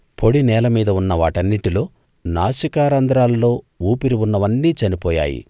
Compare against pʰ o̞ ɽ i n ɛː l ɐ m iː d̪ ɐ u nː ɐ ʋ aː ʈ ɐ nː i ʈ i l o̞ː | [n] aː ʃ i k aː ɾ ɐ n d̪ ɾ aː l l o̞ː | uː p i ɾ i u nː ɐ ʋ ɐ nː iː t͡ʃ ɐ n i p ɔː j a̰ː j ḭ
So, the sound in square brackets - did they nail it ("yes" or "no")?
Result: yes